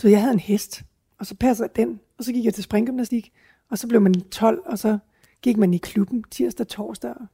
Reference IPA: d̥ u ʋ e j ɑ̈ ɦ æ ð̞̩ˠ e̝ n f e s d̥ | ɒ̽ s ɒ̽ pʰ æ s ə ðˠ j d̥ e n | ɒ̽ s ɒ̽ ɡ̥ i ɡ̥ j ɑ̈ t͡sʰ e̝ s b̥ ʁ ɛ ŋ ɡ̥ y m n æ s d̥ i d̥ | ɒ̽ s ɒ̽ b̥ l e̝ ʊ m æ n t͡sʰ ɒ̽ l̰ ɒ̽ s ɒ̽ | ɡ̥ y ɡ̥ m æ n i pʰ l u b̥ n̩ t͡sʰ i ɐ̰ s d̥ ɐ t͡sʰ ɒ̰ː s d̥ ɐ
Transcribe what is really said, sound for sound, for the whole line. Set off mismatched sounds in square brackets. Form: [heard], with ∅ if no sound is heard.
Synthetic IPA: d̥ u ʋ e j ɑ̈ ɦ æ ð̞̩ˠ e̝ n [h] e s d̥ | ɒ̽ s ɒ̽ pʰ æ s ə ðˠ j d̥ e n | ɒ̽ s ɒ̽ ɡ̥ i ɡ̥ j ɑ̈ t͡sʰ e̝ s b̥ ʁ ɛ ŋ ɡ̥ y m n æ s d̥ i [ɡ̥] | ɒ̽ s ɒ̽ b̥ l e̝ ʊ m æ n t͡sʰ ɒ̽ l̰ ɒ̽ s ɒ̽ | ɡ̥ [i] ɡ̥ m æ n i [kʰ] l u b̥ n̩ t͡sʰ i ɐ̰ s d̥ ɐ t͡sʰ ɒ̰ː s d̥ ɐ